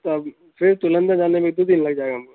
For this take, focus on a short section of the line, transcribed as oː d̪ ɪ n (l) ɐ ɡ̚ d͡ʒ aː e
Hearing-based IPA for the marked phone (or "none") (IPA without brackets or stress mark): l